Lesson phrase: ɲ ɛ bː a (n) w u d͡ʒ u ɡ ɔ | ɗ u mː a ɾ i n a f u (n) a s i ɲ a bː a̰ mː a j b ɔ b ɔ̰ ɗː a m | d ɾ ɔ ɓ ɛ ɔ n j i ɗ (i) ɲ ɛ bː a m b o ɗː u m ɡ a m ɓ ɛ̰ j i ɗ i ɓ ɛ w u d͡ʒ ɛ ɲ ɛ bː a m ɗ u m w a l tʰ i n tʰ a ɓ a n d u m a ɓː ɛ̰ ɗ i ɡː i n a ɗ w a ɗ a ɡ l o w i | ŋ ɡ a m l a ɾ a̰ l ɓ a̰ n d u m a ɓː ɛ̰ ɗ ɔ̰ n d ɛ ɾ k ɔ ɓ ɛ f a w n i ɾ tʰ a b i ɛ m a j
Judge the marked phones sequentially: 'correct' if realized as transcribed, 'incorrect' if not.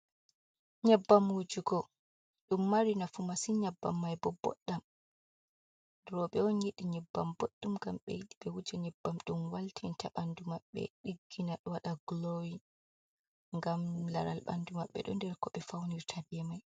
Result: incorrect, incorrect, correct

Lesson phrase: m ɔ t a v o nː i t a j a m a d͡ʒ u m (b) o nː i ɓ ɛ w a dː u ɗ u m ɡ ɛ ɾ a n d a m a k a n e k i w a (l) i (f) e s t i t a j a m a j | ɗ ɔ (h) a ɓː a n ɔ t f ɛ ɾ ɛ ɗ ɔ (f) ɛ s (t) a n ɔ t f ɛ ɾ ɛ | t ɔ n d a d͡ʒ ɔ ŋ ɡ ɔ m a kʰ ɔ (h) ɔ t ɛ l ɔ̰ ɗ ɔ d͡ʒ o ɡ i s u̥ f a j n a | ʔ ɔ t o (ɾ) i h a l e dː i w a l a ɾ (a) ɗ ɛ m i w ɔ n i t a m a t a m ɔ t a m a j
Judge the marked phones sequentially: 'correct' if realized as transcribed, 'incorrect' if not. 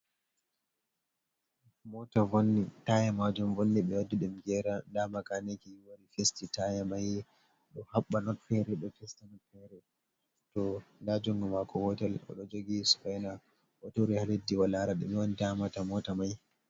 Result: incorrect, incorrect, correct, correct, correct, correct, correct, correct, correct

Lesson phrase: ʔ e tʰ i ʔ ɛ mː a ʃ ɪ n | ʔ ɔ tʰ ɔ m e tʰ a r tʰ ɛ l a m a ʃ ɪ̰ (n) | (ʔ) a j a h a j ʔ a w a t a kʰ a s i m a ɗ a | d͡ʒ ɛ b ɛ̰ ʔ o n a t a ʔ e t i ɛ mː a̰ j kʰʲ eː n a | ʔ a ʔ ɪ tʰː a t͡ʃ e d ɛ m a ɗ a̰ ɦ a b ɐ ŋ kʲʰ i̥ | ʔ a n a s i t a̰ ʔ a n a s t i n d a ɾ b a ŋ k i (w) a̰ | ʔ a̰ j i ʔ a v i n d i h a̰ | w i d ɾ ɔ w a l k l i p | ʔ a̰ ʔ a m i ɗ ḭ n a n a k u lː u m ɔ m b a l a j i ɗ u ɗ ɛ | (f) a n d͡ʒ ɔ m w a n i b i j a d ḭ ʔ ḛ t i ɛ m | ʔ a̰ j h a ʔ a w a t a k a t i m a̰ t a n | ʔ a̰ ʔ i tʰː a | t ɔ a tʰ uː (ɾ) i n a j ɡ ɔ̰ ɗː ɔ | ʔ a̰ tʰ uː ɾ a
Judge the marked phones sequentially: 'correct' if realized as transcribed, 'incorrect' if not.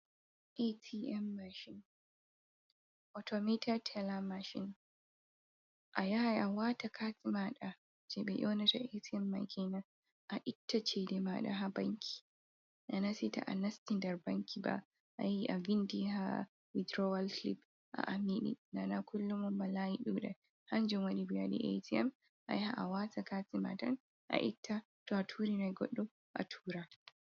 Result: correct, correct, incorrect, incorrect, correct

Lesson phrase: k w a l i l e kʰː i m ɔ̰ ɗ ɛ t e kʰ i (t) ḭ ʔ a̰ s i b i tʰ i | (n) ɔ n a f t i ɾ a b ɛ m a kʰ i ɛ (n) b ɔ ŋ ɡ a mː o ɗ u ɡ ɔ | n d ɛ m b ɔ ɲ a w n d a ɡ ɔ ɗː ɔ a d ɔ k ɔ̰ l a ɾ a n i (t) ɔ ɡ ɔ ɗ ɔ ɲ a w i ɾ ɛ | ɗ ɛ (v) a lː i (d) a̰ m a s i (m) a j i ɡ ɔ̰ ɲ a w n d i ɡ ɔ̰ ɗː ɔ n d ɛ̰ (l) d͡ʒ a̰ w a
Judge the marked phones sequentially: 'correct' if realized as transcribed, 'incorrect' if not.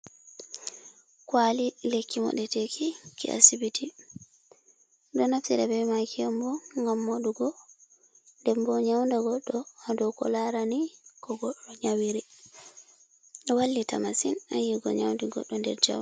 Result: incorrect, incorrect, incorrect, incorrect, incorrect, incorrect, incorrect, incorrect

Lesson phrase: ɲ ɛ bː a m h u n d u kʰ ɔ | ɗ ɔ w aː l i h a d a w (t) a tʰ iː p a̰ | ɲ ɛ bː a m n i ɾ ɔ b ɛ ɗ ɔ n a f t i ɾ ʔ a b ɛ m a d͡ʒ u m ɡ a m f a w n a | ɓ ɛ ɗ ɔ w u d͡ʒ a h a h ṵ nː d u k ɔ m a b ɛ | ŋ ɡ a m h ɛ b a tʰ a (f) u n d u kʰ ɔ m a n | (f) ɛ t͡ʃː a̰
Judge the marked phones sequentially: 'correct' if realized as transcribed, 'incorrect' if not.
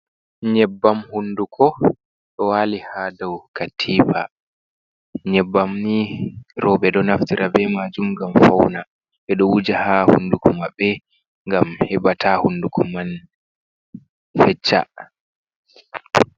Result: incorrect, incorrect, correct

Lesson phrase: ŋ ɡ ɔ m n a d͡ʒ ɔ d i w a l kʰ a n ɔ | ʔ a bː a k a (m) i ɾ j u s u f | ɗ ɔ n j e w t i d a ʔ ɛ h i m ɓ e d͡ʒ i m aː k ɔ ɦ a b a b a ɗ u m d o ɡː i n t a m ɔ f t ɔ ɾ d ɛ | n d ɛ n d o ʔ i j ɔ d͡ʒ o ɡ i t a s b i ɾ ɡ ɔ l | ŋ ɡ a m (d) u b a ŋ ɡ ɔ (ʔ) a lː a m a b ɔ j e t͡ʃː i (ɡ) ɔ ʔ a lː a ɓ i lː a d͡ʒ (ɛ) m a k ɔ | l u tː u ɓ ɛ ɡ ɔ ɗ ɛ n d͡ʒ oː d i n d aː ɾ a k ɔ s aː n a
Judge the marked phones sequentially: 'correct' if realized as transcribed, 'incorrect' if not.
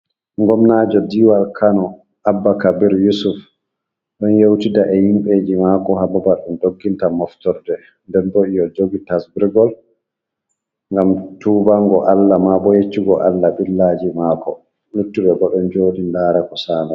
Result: incorrect, incorrect, correct, correct, incorrect

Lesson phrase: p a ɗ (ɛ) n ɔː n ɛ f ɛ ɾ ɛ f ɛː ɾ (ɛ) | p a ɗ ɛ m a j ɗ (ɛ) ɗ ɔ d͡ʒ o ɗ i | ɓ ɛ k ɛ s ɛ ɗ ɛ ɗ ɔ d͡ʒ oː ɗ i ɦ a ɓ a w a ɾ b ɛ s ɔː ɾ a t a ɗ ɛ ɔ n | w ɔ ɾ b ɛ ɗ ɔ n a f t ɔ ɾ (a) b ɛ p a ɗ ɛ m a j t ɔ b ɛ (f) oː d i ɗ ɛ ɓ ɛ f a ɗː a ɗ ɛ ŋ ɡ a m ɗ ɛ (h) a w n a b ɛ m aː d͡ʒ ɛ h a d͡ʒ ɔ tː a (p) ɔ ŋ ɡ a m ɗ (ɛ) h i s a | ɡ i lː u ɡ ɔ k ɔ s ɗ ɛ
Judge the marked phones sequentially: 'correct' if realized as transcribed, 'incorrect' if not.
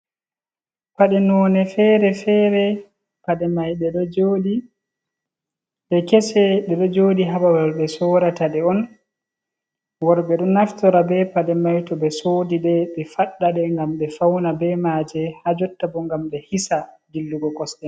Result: correct, correct, correct, correct, incorrect, incorrect, incorrect, correct

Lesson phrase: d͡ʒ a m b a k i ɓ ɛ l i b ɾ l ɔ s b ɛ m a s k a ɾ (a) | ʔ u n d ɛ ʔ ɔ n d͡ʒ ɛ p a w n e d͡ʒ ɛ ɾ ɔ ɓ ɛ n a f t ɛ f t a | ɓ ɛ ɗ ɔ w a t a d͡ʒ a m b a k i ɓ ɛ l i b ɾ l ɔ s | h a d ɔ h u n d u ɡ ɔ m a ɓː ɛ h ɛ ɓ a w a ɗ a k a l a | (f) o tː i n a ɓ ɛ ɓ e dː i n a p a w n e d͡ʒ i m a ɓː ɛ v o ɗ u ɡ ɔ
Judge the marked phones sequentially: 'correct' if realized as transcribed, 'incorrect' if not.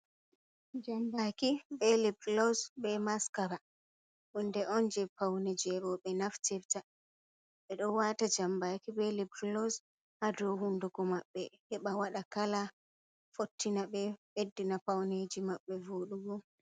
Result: correct, correct

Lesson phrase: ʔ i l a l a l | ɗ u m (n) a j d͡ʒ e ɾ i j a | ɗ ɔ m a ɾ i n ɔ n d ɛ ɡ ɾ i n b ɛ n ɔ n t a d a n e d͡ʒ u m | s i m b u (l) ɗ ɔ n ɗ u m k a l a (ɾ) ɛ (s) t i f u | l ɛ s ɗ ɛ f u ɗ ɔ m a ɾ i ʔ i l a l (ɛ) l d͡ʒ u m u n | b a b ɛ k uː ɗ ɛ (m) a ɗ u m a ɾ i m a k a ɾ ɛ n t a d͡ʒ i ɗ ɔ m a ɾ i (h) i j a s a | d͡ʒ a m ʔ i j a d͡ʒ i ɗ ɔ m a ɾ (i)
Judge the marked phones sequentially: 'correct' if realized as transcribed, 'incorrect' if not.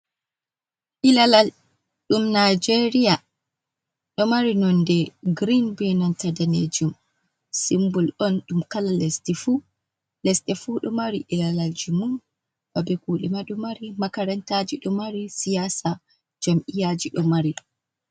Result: correct, correct, incorrect, correct, incorrect, correct, incorrect, correct

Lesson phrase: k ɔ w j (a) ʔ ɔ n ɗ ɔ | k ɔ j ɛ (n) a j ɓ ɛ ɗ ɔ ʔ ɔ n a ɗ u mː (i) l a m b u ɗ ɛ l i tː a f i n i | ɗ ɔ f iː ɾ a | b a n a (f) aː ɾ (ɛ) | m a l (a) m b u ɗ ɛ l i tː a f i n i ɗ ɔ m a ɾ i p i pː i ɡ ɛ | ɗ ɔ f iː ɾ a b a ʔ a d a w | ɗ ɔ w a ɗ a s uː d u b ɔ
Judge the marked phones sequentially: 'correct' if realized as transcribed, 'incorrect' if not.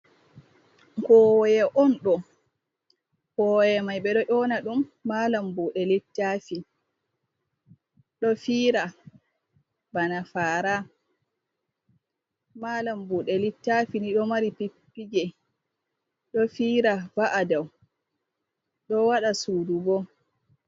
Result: incorrect, incorrect, incorrect, correct, incorrect, correct

